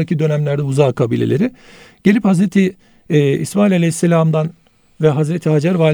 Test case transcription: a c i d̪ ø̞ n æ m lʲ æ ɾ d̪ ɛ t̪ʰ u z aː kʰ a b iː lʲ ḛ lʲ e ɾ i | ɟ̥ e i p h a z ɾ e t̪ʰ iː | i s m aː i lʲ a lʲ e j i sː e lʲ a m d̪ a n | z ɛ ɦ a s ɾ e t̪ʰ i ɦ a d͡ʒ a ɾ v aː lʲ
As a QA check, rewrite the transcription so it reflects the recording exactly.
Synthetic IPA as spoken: a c i d̪ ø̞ n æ m lʲ æ ɾ d̪ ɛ u z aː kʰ a b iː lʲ ḛ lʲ e ɾ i | ɟ̥ e i p h a z ɾ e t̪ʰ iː | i s m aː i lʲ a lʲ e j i sː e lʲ a m d̪ a n | v ɛ ɦ a z ɾ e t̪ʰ i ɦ a d͡ʒ a ɾ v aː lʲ